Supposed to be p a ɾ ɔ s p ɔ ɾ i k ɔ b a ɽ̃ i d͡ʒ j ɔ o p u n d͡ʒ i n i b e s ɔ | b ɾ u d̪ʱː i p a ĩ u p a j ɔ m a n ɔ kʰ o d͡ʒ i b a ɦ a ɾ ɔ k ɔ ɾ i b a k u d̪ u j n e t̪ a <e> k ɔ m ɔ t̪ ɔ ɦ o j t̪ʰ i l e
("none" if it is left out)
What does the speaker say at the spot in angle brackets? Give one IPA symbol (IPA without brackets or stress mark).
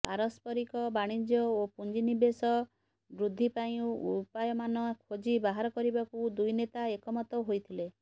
e